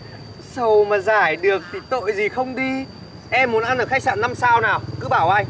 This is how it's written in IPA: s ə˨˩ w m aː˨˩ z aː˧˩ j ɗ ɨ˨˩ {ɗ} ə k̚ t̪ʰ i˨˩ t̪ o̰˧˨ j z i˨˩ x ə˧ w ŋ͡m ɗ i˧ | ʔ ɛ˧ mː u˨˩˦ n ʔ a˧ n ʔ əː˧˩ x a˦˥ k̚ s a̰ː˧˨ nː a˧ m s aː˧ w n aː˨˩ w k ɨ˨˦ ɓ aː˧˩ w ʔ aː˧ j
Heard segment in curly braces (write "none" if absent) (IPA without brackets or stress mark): none